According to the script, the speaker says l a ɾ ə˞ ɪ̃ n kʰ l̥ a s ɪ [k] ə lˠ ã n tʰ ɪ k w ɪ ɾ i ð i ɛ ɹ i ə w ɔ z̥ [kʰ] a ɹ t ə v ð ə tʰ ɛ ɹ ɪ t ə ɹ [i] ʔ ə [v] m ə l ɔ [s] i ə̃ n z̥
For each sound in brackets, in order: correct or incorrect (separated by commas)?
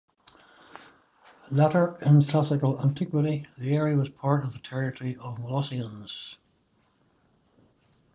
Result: correct, incorrect, correct, correct, correct